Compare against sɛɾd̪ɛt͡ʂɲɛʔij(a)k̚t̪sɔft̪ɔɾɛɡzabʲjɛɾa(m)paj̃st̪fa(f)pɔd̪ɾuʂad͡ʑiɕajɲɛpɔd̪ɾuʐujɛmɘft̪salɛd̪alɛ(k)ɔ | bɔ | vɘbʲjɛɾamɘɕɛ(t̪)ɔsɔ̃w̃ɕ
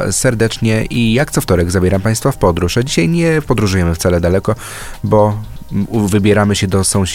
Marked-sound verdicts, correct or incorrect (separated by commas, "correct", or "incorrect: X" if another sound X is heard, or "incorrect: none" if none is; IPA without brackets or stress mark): correct, correct, correct, correct, incorrect: d̪